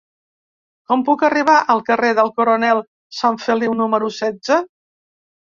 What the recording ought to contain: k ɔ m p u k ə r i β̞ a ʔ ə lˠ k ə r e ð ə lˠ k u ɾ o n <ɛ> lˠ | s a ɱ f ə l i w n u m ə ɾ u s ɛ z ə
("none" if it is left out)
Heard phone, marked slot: ɛ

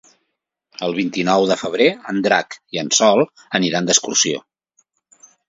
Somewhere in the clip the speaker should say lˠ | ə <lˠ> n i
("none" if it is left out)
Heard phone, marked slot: none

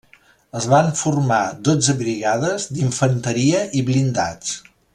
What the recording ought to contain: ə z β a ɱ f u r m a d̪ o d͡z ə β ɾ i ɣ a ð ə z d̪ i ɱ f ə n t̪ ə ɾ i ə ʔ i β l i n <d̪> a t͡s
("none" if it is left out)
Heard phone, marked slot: d̪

